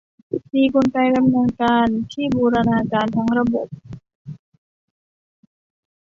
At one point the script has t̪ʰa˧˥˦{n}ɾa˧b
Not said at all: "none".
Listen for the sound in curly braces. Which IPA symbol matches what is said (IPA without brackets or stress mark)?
ŋ